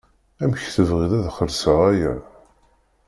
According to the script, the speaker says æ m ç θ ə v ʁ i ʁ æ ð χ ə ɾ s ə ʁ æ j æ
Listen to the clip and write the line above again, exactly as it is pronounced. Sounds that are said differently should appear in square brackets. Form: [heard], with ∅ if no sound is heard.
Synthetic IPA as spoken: æ m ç θ ə v ʁ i [ð] æ ð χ ə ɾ s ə ʁ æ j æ